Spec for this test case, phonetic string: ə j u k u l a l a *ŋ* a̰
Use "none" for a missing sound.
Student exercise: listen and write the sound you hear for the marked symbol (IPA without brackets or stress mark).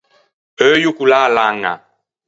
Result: ŋ